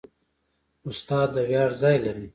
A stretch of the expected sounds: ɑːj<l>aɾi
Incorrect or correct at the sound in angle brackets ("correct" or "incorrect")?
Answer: correct